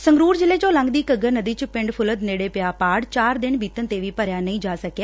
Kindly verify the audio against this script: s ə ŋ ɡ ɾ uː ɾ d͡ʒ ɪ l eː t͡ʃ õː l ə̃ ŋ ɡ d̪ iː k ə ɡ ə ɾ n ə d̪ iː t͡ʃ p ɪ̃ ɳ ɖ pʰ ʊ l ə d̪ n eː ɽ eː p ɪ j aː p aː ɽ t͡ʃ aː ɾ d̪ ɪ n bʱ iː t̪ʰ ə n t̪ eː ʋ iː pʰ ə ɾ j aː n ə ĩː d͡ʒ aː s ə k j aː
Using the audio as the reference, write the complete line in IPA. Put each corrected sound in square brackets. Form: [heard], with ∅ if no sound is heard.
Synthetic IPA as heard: s ə ŋ ɡ ɾ uː ɾ d͡ʒ ɪ l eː t͡ʃ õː l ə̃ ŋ ɡ d̪ iː k ə ɡ ə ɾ n ə d̪ iː t͡ʃ p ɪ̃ ɳ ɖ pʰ ʊ l ə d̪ n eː ɽ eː p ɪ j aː p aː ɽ t͡ʃ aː ɾ d̪ ɪ n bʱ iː [t̪] ə n t̪ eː ʋ iː [p] ə ɾ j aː n ə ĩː d͡ʒ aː s ə k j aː